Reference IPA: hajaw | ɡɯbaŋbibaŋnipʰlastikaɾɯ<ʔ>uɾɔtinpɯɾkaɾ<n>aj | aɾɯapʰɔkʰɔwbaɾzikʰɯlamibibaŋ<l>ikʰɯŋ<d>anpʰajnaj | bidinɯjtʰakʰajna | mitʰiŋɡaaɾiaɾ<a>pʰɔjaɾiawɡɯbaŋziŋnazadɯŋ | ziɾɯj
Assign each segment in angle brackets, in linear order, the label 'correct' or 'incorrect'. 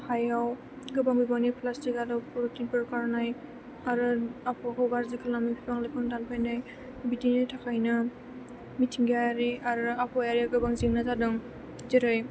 incorrect, correct, correct, correct, correct

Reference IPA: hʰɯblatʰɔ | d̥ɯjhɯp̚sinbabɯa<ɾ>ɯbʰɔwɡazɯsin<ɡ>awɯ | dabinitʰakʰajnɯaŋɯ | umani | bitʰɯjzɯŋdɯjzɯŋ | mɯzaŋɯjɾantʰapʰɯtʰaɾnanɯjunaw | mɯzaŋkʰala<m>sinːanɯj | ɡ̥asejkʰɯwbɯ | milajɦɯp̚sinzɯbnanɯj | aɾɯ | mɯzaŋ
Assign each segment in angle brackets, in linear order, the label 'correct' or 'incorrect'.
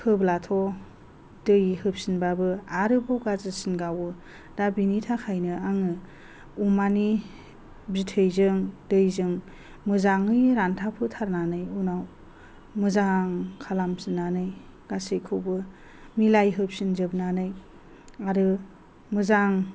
correct, correct, correct

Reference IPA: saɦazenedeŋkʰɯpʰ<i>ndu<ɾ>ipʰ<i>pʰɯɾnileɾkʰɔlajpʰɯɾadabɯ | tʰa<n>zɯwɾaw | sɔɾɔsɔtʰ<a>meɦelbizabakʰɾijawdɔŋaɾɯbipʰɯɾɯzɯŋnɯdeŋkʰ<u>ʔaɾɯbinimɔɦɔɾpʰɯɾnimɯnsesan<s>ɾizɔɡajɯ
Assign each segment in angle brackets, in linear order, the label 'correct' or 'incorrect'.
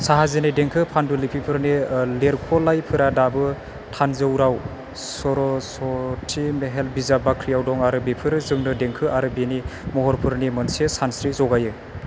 incorrect, incorrect, correct, correct, incorrect, incorrect, correct

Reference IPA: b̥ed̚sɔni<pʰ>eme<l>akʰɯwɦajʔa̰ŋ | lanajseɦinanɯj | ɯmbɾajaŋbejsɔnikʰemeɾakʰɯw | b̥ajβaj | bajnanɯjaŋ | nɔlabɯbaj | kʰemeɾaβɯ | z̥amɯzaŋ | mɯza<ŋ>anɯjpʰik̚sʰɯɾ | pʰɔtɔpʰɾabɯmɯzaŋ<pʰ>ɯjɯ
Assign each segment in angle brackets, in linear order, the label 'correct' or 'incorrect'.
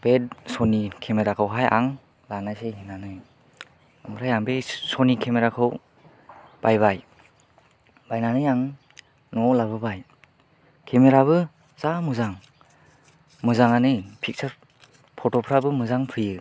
incorrect, incorrect, correct, correct

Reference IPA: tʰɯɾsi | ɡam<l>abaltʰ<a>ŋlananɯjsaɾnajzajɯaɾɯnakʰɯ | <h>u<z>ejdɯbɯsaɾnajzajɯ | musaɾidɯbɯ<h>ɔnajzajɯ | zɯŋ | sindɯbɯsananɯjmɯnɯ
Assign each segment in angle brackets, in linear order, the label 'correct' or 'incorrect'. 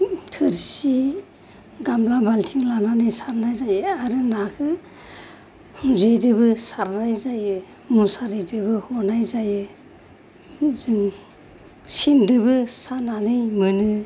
correct, incorrect, correct, correct, correct

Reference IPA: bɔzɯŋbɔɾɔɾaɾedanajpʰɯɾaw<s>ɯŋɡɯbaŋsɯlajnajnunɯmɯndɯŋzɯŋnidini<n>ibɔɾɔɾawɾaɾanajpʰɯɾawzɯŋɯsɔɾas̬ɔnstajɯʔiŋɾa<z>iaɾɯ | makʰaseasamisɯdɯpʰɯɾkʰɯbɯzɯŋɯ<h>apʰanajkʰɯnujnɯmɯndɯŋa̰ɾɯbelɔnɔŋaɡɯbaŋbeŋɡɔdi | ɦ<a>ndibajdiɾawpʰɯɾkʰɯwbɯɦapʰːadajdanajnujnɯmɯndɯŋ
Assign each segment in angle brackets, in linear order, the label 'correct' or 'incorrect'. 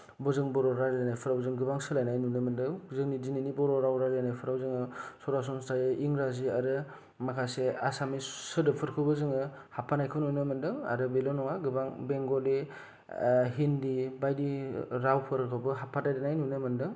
incorrect, correct, correct, correct, incorrect

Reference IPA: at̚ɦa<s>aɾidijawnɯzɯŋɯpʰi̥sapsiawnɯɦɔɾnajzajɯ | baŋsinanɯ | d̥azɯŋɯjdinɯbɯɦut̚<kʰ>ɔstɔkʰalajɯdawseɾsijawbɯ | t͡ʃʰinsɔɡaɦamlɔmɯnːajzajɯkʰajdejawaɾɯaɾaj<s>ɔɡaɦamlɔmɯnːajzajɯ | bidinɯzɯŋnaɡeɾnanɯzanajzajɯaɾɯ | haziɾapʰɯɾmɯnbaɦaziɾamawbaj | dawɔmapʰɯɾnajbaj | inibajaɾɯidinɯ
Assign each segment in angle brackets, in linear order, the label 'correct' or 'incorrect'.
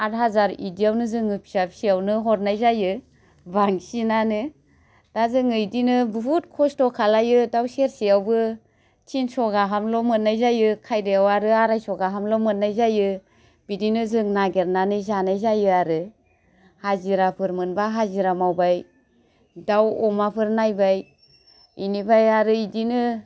incorrect, correct, correct

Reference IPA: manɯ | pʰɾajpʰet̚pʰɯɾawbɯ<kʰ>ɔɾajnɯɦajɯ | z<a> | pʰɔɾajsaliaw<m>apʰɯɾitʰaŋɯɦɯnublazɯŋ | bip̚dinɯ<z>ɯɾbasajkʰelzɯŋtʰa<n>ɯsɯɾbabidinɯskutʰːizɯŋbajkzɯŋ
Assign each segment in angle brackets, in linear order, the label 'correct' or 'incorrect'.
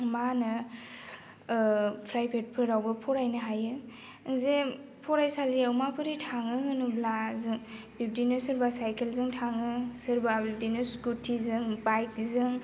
incorrect, incorrect, correct, incorrect, incorrect

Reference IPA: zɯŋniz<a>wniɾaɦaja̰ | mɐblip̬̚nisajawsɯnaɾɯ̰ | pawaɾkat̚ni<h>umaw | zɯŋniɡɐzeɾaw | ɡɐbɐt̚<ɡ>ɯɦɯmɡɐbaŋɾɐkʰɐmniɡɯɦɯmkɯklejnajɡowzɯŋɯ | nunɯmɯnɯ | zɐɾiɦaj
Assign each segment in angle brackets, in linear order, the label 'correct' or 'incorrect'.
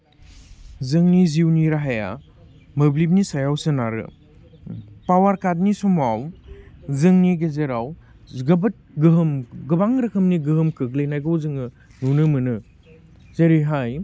incorrect, incorrect, correct

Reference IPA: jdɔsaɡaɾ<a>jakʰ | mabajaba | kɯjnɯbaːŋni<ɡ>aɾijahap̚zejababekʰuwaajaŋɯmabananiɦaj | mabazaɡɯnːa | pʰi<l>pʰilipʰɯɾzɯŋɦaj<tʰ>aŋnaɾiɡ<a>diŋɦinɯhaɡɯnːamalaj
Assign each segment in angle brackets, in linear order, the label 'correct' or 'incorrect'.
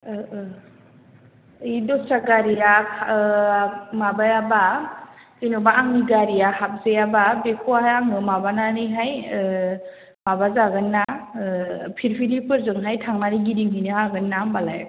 incorrect, correct, incorrect, correct, incorrect

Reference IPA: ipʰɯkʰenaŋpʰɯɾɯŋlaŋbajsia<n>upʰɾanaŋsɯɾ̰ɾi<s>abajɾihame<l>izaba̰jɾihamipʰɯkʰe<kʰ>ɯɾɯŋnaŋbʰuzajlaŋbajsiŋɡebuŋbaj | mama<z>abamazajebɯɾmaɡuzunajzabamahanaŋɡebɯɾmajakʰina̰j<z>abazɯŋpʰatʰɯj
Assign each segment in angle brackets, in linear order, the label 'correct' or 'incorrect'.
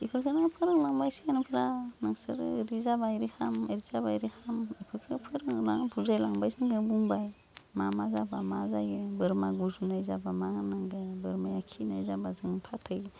correct, incorrect, incorrect, incorrect, correct, correct

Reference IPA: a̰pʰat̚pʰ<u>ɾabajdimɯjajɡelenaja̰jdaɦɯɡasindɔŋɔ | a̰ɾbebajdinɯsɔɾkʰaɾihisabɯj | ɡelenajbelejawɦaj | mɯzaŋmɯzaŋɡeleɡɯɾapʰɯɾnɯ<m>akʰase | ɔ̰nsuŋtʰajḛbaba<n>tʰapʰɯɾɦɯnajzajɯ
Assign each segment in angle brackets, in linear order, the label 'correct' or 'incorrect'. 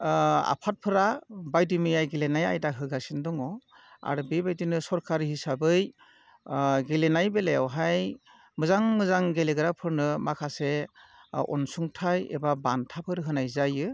incorrect, correct, correct

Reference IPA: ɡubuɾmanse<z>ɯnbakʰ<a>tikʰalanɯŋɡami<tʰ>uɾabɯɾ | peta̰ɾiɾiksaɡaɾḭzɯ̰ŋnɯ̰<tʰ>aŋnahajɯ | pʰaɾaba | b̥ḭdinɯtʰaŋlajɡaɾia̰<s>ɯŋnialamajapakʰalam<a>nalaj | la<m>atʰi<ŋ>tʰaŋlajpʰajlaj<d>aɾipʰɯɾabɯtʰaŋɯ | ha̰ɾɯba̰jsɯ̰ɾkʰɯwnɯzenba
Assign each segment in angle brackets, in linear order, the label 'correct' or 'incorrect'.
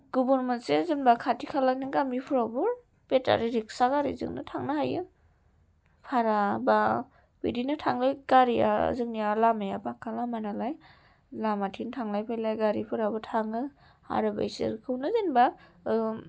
correct, correct, incorrect, correct, incorrect, correct, correct, incorrect, incorrect

